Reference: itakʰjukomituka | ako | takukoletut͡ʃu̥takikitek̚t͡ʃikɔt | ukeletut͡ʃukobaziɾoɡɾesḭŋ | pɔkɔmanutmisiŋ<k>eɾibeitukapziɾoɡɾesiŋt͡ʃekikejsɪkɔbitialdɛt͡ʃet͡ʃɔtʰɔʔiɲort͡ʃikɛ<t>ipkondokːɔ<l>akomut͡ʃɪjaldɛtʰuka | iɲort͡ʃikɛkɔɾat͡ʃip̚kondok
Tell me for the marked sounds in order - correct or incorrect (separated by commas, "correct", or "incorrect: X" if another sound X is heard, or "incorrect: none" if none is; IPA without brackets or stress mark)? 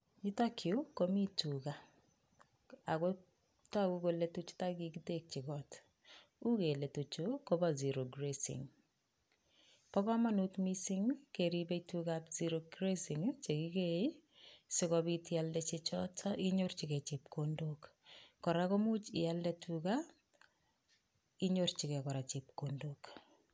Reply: correct, incorrect: t͡ʃ, incorrect: ɾ